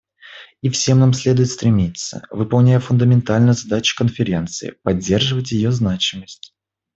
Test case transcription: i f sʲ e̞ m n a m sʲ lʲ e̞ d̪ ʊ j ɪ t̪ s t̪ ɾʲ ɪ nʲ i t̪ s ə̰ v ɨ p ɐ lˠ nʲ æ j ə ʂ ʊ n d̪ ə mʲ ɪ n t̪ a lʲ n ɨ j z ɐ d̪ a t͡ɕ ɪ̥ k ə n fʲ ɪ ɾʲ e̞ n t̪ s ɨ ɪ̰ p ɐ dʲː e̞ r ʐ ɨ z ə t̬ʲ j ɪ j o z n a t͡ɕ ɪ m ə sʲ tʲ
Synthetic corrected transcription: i f sʲ e̞ m n a m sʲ lʲ e̞ d̪ ʊ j ɪ t̪ s t̪ ɾʲ ɪ mʲ i t̪ s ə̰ v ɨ p ɐ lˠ nʲ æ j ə f ʊ n d̪ ə mʲ ɪ n t̪ a lʲ n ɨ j z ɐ d̪ a t͡ɕ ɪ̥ k ə n fʲ ɪ ɾʲ e̞ n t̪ s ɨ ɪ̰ p ɐ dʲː e̞ r ʐ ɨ v ə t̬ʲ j ɪ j o z n a t͡ɕ ɪ m ə sʲ tʲ